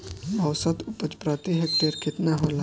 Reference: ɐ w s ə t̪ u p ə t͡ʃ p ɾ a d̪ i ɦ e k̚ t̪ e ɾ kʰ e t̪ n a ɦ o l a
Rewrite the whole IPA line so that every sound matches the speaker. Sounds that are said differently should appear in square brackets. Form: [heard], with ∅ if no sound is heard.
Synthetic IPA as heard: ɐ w s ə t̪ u p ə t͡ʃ p ɾ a [t̪] i ɦ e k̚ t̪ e ɾ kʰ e t̪ n a ɦ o l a